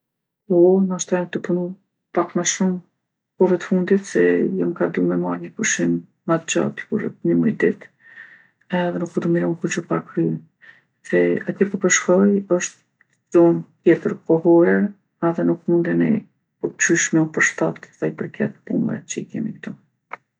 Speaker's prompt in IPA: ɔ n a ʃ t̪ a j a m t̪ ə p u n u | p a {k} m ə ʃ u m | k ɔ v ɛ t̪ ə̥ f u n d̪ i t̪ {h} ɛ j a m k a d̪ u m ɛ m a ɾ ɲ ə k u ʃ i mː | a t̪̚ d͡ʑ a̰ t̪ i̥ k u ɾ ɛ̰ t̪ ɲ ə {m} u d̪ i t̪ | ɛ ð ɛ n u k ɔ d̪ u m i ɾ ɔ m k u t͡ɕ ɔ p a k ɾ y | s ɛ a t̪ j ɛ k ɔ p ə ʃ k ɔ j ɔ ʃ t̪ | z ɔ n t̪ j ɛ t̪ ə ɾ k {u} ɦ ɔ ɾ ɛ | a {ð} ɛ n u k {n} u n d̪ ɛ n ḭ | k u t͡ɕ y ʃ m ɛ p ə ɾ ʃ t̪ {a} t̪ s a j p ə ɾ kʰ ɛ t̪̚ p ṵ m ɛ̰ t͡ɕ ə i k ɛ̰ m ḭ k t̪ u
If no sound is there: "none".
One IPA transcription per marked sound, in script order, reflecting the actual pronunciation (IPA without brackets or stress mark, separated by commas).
k, s, m, ɔ, ð, m, a